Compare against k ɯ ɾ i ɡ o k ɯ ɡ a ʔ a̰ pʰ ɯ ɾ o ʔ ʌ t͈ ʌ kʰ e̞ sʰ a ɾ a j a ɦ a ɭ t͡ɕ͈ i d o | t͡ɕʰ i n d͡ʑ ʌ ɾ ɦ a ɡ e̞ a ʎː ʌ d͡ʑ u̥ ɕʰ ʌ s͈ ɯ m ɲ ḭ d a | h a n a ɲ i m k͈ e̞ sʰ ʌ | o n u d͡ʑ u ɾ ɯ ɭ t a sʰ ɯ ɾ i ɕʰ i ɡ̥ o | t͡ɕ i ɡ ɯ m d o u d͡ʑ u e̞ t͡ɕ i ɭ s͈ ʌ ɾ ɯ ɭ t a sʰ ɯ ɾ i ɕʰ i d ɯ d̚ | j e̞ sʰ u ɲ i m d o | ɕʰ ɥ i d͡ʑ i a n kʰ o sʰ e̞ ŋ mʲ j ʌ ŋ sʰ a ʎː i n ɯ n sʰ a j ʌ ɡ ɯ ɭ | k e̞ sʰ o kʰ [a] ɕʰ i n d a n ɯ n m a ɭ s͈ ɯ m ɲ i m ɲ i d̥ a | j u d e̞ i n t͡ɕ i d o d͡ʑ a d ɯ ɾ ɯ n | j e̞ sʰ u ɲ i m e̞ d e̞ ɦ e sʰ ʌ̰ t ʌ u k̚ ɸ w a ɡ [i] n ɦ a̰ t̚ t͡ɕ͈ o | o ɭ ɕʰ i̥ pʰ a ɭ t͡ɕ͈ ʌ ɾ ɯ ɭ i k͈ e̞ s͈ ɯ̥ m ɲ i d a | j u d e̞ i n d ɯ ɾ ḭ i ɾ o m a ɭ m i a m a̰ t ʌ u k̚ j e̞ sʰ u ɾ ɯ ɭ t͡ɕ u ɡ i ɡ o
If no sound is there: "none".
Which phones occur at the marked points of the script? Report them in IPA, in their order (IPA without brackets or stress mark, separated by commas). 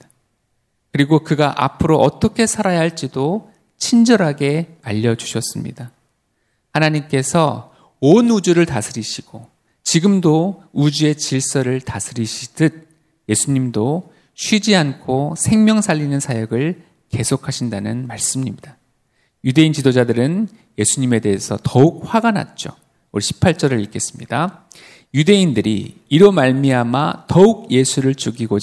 a, a